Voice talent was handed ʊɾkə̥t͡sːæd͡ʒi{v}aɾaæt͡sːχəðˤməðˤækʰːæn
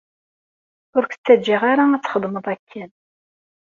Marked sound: incorrect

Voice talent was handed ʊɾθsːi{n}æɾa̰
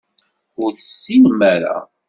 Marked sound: incorrect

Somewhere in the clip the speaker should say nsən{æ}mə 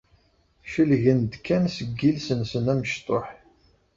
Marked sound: correct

